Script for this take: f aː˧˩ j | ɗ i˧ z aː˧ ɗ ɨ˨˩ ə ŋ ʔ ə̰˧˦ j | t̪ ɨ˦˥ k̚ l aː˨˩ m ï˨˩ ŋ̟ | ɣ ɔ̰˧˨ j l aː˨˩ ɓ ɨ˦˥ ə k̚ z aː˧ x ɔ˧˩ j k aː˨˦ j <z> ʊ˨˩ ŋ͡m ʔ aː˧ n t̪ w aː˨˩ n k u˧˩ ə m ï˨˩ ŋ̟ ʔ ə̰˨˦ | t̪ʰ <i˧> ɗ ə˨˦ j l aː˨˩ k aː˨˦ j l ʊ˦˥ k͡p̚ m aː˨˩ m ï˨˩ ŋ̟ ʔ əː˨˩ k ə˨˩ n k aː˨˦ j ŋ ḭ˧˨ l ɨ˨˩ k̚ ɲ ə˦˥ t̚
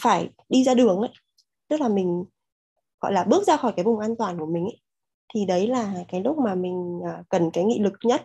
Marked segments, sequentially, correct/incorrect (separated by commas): incorrect, incorrect